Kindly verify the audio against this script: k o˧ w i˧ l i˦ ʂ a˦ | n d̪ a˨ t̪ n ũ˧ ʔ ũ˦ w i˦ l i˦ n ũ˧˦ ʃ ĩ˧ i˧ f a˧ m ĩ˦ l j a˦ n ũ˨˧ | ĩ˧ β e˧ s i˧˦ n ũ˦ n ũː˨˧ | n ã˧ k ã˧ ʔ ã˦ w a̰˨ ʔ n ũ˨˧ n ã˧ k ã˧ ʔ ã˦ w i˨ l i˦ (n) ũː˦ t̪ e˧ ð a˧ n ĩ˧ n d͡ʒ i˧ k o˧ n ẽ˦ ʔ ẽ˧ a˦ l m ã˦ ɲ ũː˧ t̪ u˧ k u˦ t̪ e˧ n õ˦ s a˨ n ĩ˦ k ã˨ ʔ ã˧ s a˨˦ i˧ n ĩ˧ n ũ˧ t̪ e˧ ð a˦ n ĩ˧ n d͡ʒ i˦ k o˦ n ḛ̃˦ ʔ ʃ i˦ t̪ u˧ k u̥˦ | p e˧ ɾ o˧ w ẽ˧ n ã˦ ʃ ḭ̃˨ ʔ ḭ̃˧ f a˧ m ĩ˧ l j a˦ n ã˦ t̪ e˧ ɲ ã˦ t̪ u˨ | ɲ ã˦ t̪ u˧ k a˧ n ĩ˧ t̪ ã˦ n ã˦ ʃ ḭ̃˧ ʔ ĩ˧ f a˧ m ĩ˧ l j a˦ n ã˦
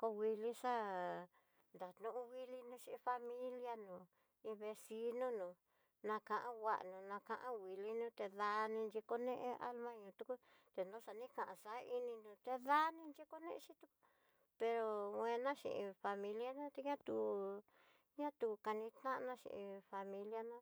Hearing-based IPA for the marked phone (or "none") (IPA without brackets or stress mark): n